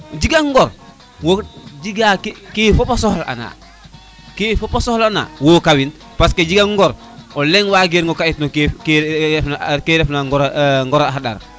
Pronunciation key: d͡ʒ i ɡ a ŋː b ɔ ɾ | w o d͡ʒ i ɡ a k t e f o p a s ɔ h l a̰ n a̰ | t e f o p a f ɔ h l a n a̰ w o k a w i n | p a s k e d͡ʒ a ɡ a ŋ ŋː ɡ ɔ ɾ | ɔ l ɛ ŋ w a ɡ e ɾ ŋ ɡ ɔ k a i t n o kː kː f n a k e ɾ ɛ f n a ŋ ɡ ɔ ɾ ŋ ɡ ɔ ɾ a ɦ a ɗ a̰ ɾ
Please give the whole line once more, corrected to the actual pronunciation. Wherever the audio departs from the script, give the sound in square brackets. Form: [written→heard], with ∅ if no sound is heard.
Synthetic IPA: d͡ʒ i ɡ a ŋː [b→ɡ] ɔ ɾ | w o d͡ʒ i ɡ a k [t→k] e f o p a s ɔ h l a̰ n a̰ | [t→k] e f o p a [f→s] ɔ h l a n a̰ w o k a w i n | p a s k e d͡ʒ [a→i] ɡ a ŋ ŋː ɡ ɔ ɾ | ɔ l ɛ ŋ w a ɡ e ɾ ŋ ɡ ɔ k a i t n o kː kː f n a k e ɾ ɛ f n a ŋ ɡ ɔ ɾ ŋ ɡ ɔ ɾ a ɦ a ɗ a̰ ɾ